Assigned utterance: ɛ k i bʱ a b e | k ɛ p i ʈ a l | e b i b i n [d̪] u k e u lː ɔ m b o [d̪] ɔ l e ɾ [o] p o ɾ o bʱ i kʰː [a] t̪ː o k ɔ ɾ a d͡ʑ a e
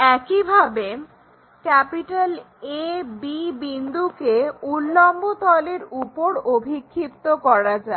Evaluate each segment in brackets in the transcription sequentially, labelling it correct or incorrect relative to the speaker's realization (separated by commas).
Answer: correct, incorrect, incorrect, incorrect